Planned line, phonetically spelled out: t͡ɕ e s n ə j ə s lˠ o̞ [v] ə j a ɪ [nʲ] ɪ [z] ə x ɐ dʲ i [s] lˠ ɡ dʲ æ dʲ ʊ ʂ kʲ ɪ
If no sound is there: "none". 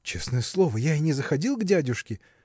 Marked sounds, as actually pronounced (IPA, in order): v, nʲ, z, none

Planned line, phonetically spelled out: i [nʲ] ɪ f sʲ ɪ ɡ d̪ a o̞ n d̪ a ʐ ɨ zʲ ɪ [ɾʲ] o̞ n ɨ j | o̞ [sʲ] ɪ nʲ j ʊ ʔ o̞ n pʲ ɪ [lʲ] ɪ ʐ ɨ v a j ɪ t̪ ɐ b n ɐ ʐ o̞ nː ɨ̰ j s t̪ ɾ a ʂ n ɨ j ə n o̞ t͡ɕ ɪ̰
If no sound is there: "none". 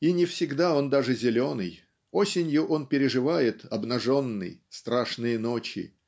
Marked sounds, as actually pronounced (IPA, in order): nʲ, lʲ, sʲ, ɾʲ

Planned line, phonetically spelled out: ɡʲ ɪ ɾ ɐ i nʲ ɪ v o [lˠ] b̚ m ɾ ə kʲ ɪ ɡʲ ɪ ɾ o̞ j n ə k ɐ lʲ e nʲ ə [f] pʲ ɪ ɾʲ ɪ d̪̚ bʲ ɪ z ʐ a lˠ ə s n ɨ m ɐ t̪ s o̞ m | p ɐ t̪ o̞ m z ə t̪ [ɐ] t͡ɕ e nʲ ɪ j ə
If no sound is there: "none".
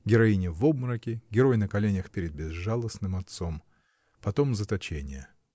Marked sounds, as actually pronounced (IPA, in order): none, x, ɐ

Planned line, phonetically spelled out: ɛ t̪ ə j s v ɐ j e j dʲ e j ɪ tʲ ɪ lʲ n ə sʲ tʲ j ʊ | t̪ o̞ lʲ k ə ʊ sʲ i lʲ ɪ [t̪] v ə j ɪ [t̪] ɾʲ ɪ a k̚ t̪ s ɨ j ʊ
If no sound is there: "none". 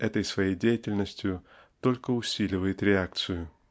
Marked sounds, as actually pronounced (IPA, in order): none, t̪

